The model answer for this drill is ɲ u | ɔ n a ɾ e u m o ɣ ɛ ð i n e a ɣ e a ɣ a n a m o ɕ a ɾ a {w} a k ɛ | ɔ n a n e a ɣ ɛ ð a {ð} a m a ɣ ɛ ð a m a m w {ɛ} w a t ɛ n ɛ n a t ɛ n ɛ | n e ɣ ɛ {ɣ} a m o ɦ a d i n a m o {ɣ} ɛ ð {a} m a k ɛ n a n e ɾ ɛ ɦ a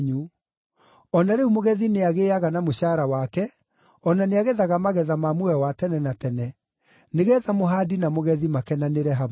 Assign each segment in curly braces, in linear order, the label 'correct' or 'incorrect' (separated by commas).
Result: correct, incorrect, correct, incorrect, correct, incorrect